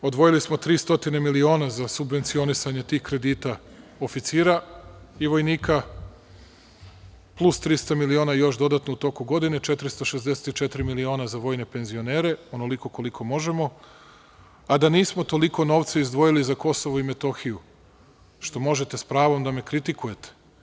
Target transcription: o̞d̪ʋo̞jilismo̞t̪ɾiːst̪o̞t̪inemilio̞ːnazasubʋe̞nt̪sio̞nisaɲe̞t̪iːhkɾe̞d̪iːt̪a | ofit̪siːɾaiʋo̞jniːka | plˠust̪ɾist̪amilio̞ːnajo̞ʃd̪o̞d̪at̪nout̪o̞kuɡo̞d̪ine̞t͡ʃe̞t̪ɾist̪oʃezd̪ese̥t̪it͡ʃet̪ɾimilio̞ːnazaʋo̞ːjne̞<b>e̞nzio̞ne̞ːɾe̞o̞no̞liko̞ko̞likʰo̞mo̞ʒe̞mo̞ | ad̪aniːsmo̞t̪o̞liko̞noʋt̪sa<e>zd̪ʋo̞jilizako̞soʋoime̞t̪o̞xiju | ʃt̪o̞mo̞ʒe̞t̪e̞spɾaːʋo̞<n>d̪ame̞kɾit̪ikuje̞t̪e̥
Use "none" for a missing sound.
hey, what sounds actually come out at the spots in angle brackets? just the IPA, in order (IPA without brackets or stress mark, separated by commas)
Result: p, i, m